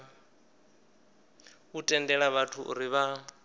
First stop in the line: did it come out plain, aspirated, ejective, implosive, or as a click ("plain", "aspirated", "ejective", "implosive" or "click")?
ejective